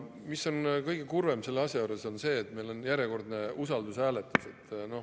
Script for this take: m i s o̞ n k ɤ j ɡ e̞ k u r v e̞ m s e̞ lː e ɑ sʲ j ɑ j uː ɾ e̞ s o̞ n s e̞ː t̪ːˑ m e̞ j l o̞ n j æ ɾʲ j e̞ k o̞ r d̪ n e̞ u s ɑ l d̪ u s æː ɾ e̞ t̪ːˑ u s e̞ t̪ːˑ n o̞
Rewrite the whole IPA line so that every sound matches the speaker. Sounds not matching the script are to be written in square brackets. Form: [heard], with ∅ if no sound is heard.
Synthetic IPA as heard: m i s o̞ n k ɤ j ɡ e̞ k u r v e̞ m s e̞ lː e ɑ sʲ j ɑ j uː ɾ e̞ s o̞ n s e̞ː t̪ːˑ m e̞ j l o̞ n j æ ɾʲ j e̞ k o̞ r d̪ n e̞ u s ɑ l d̪ u s æː [l] e̞ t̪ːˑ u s e̞ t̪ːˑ n o̞